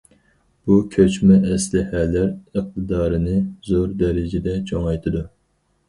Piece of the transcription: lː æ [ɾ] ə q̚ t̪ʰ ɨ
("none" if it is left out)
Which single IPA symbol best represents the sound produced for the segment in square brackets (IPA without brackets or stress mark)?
ɾ